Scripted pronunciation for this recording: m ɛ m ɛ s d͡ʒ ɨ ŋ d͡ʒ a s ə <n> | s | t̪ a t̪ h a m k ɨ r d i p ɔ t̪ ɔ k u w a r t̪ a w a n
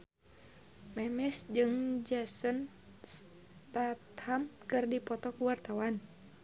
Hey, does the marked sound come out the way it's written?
yes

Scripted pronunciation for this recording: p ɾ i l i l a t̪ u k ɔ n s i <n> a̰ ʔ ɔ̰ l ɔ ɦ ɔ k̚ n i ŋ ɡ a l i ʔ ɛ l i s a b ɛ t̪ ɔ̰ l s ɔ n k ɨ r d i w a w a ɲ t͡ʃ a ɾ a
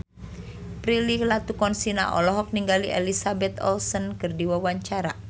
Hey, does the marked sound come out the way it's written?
yes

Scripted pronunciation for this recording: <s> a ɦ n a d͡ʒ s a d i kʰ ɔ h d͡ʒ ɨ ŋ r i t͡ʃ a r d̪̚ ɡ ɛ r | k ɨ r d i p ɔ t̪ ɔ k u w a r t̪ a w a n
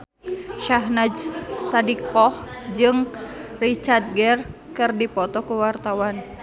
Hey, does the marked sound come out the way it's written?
no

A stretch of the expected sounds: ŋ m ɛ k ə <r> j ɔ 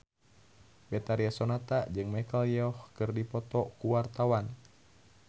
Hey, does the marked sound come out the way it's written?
no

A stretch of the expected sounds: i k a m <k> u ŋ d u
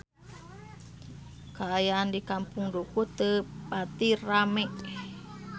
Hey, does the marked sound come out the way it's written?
no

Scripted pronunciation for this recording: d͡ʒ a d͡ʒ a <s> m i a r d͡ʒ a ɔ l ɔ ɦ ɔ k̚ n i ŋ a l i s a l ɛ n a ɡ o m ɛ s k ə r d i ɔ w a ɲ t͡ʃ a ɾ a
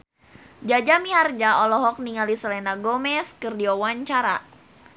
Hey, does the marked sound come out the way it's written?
no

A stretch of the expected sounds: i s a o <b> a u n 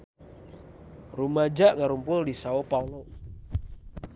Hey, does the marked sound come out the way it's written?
no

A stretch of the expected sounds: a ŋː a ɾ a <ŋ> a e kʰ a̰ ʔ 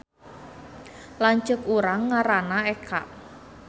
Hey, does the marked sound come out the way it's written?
no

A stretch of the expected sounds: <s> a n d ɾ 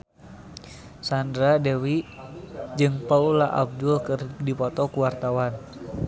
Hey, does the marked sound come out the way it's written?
yes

